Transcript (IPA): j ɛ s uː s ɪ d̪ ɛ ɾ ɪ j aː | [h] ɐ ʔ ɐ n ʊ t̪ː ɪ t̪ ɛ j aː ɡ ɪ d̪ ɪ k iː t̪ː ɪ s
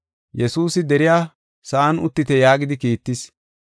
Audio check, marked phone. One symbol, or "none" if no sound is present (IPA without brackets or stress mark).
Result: s